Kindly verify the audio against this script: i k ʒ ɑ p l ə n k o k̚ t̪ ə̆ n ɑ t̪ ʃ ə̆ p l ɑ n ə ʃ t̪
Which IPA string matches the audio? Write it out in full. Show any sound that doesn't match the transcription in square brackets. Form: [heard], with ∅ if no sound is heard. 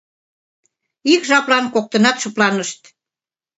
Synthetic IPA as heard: i k ʒ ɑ p l [ɑ] n k o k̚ t̪ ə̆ n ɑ t̪ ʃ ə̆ p l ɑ n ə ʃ t̪